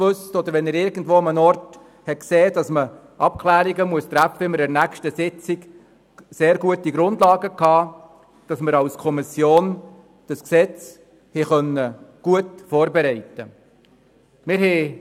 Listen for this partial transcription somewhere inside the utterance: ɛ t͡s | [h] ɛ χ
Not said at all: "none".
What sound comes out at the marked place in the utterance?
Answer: h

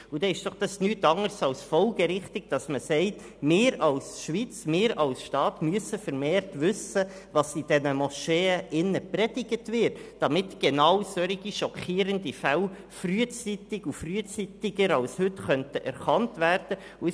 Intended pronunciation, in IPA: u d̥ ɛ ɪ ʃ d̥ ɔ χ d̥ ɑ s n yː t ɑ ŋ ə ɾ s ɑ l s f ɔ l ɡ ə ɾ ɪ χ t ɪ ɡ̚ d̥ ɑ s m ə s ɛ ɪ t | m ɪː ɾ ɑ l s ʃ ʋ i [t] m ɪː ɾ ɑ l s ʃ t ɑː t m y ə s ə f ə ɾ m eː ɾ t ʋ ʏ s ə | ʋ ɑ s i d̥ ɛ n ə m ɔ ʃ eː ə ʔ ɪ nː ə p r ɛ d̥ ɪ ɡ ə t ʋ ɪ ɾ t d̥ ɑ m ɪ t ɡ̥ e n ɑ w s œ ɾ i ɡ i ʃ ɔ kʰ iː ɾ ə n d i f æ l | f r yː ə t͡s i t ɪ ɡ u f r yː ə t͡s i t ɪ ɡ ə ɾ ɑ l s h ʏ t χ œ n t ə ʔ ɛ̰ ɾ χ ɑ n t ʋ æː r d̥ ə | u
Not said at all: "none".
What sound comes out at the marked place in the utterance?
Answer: t͡s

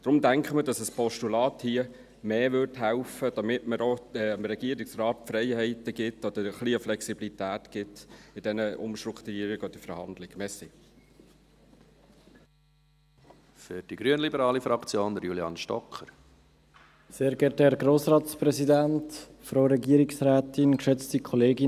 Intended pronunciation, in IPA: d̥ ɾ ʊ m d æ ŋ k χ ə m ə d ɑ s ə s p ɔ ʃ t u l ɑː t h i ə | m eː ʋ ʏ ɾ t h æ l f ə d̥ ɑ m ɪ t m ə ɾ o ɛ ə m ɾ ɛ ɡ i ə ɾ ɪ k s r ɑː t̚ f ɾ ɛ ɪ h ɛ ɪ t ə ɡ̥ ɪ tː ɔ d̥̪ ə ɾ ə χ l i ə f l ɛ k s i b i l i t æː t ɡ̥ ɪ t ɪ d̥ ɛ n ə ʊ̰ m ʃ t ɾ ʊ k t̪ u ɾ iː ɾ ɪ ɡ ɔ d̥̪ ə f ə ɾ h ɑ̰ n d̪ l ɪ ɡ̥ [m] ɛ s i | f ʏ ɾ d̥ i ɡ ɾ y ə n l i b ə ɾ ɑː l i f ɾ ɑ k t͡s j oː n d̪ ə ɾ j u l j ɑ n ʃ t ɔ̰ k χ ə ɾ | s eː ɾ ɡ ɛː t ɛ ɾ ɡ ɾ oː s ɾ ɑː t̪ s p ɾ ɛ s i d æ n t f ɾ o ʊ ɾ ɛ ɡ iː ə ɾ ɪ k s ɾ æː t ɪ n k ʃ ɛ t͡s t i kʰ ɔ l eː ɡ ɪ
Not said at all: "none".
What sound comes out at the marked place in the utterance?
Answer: m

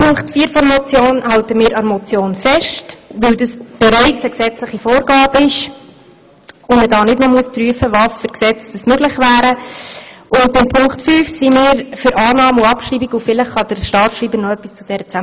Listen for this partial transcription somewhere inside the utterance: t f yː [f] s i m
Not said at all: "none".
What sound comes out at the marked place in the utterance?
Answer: f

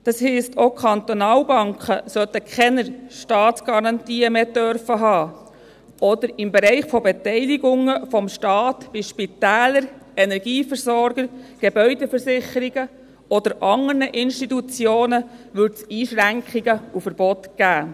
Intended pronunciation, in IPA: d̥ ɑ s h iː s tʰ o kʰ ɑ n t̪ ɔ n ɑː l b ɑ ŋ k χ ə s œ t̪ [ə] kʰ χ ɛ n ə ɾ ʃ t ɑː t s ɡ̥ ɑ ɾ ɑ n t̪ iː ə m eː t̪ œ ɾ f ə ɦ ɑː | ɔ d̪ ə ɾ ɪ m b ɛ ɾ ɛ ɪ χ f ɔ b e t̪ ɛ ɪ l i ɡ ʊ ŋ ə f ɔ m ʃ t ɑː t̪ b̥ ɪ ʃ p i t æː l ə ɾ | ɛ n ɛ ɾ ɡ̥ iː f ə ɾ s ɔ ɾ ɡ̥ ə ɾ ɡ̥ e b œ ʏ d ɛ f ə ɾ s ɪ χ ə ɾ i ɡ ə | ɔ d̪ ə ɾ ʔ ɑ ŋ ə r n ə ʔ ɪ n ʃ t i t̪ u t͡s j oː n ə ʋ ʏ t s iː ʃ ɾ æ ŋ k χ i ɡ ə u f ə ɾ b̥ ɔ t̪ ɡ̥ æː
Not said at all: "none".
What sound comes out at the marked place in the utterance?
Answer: ə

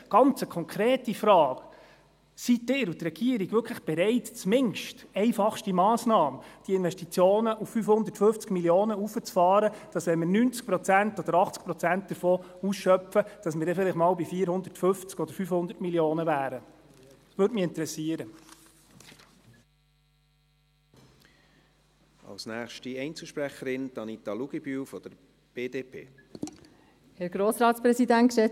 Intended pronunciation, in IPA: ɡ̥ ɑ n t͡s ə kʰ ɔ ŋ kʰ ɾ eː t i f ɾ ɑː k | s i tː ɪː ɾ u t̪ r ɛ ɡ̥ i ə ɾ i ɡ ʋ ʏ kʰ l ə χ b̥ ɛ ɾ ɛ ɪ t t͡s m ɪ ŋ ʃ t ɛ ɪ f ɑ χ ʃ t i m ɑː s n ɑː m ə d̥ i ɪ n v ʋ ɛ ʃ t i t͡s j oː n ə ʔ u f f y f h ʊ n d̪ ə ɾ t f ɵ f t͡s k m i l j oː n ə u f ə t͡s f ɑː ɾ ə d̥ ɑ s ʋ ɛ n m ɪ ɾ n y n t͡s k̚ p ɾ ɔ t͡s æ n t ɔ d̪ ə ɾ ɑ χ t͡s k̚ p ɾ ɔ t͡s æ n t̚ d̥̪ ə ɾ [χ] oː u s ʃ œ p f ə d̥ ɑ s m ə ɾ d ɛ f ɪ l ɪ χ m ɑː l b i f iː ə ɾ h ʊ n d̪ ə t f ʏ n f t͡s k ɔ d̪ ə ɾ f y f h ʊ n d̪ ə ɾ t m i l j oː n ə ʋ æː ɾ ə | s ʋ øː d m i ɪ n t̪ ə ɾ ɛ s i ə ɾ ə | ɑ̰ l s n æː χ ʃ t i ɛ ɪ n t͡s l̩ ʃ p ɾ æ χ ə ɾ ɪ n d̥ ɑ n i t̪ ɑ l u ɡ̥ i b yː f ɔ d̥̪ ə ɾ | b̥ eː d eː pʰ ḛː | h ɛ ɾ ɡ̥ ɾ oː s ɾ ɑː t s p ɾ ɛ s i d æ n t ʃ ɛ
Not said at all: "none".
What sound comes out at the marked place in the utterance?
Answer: f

